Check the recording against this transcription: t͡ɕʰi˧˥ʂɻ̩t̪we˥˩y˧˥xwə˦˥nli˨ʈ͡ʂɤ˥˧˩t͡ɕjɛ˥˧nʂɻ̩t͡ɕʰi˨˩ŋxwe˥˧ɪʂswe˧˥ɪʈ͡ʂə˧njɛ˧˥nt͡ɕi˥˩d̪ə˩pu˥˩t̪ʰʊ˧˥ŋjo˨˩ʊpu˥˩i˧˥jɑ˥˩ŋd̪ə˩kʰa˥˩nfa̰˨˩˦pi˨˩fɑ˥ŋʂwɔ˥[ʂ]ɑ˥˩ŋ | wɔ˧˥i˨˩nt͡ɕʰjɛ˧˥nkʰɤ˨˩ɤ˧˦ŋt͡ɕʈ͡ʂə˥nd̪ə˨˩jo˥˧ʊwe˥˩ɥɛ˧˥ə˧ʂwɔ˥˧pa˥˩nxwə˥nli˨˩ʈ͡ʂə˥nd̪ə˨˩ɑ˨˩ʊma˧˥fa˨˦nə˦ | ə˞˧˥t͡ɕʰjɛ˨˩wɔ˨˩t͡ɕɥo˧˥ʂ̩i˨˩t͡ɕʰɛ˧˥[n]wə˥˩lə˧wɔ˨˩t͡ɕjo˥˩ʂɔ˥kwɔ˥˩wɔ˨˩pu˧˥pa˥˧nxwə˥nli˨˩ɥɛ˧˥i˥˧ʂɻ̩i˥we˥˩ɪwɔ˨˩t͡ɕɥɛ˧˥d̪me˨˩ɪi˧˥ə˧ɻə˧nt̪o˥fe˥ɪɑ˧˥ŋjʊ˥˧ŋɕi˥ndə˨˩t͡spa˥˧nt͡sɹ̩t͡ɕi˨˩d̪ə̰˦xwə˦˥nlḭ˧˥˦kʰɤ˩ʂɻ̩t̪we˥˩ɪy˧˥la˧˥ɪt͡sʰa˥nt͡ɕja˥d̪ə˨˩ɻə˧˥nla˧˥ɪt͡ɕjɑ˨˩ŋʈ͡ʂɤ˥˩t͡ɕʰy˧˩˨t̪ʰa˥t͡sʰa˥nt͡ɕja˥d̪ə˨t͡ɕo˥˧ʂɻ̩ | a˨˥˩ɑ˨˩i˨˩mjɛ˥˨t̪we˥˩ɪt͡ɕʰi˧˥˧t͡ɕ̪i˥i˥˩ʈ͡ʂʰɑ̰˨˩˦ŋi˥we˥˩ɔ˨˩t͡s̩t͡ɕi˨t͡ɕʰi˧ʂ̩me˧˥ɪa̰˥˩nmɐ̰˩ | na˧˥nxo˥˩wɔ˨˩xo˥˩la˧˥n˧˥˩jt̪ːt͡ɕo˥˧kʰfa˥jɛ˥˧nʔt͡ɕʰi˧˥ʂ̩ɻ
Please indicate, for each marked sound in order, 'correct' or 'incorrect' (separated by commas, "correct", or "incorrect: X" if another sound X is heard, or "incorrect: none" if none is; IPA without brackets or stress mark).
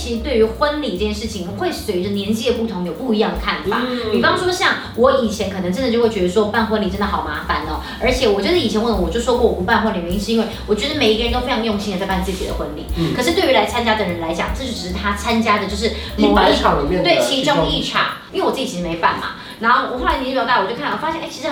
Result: incorrect: ɕ, correct